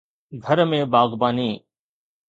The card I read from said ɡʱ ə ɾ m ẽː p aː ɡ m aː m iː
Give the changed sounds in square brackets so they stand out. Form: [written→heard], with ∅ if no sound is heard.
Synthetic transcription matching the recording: ɡʱ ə ɾ m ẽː [p→b] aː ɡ [m→b] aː [m→n] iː